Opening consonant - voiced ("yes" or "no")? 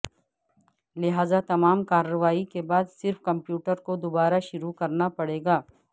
yes